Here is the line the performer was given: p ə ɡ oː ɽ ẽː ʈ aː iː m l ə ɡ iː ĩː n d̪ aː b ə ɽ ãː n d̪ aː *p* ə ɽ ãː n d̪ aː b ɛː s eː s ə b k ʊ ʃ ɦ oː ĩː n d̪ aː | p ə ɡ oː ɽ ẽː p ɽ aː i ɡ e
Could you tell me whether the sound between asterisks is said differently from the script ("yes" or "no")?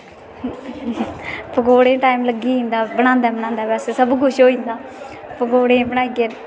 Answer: yes